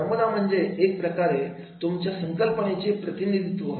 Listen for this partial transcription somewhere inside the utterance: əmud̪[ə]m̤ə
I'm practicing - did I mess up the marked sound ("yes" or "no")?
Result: yes